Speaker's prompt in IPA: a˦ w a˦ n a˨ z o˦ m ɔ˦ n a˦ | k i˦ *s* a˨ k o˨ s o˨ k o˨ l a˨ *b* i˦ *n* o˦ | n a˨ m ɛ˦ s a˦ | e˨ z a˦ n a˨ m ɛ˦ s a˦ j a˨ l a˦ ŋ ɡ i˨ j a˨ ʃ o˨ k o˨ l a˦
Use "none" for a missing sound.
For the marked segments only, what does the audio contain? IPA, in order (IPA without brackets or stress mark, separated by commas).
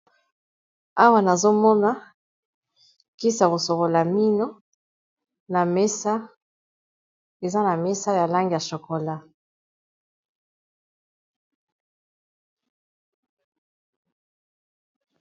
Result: s, m, n